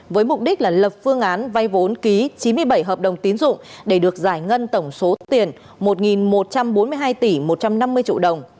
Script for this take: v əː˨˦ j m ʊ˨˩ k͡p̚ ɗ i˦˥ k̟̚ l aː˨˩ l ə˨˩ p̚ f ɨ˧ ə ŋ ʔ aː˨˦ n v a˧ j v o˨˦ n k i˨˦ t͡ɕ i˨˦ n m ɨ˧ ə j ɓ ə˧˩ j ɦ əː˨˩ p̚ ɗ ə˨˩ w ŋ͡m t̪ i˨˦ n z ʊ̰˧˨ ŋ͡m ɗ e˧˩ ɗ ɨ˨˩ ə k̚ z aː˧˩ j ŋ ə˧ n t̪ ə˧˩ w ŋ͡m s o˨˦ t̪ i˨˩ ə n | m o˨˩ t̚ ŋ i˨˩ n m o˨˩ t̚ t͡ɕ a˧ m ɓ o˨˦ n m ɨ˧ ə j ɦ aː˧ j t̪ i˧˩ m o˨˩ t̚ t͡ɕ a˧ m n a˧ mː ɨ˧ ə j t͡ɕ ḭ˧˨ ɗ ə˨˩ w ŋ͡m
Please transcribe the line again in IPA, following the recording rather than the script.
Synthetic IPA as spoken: v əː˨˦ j m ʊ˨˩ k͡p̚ ɗ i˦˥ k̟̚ l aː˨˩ l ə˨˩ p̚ f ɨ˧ ə ŋ ʔ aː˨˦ n v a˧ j v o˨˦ n k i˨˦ t͡ɕ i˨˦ n m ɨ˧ ə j ɓ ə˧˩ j ɦ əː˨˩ p̚ ɗ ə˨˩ w ŋ͡m t̪ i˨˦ n z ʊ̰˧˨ ŋ͡m ɗ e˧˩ ɗ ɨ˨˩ ə k̚ z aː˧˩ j ŋ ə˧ n t̪ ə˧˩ w ŋ͡m s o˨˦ t̪ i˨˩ ə n | m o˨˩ t̚ ŋ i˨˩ n m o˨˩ t̚ t͡ɕ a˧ m ɓ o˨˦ n m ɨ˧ ə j ɦ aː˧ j t̪ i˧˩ m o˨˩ t̚ t͡ɕ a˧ m n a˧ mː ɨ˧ ə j t͡ɕ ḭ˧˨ ɗ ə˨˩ w ŋ͡m